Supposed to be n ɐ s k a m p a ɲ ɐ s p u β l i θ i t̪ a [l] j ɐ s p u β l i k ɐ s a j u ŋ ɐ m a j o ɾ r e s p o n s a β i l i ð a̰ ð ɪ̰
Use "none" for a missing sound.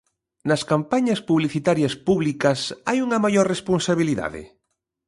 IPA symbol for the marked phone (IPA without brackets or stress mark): ɾ